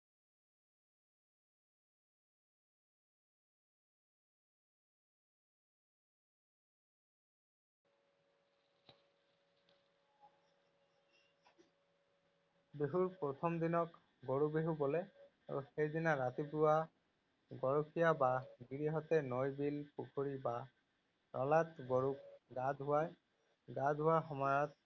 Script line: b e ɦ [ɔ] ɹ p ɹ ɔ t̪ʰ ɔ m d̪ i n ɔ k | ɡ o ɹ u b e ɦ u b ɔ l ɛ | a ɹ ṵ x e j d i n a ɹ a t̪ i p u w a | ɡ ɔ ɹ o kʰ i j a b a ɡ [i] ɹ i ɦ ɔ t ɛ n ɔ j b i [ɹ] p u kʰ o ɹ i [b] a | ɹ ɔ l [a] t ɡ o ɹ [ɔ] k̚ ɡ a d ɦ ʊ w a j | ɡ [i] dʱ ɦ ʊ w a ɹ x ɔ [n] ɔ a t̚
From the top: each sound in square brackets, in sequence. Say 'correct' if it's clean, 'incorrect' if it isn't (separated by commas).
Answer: incorrect, correct, incorrect, correct, correct, incorrect, incorrect, incorrect